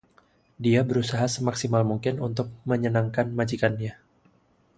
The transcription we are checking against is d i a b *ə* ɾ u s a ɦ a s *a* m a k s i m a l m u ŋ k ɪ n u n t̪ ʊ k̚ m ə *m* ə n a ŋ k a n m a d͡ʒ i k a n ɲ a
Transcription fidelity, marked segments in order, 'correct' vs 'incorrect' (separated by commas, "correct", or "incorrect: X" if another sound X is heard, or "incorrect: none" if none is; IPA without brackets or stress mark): correct, incorrect: ə, incorrect: ɲ